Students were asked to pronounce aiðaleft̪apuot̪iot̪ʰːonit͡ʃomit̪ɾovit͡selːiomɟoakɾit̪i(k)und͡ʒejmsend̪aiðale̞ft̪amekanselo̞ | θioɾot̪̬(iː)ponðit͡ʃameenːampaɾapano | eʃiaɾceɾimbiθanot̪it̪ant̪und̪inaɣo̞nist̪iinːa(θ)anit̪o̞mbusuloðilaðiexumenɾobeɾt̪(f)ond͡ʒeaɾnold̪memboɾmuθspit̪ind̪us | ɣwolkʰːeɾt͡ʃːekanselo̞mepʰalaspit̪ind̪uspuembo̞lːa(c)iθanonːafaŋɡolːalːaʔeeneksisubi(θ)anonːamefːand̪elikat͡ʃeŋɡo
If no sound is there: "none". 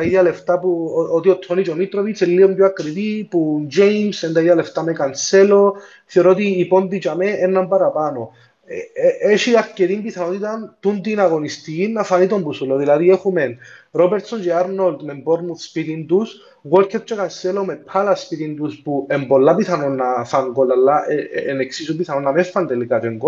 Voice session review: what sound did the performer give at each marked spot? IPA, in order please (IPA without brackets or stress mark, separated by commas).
p, iː, f, s, p, θ